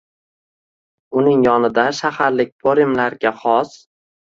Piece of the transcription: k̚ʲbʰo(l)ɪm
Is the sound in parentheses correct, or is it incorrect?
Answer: incorrect: ɾ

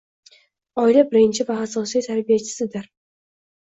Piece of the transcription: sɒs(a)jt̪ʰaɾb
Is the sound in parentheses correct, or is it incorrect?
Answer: incorrect: i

